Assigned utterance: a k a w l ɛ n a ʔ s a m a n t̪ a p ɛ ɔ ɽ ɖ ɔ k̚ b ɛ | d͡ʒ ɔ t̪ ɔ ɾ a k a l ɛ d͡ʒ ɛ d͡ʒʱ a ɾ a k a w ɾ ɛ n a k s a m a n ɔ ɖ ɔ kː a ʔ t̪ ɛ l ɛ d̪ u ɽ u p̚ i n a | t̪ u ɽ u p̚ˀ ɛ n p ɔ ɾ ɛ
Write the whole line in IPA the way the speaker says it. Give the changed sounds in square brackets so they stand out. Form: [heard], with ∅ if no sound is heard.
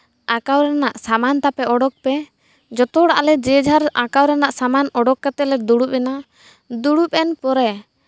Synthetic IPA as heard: a k a w [ɾ] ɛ n a ʔ s a m a n t̪ a p ɛ ɔ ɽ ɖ ɔ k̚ [p] ɛ | d͡ʒ ɔ t̪ ɔ [ɽ] a [ʔ] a l ɛ d͡ʒ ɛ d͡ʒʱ a ɾ a k a w ɾ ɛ n a [ʔ] s a m a n ɔ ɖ ɔ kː a [∅] t̪ ɛ l ɛ d̪ u ɽ u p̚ [ɛ] n a | [d̪] u ɽ u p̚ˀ ɛ n p ɔ ɾ ɛ